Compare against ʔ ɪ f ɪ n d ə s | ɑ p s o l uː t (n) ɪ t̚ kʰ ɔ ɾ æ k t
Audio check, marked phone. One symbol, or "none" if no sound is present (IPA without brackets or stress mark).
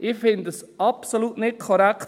n